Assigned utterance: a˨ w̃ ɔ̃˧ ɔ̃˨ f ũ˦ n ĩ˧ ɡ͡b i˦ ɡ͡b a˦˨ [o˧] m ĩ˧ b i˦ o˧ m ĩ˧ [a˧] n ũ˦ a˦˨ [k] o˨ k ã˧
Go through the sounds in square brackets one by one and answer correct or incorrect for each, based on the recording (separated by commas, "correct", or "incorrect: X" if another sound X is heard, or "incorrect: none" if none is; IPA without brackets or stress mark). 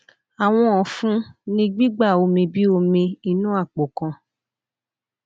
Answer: correct, incorrect: i˧, incorrect: k͡p